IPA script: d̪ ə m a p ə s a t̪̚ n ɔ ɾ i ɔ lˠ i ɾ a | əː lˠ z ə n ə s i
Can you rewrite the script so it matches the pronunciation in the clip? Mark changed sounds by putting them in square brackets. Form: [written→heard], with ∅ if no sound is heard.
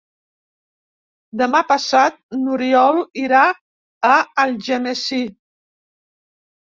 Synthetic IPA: d̪ ə m a p ə s a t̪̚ n [ɔ→u] ɾ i ɔ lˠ i ɾ a | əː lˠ [z→ʒ] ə n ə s i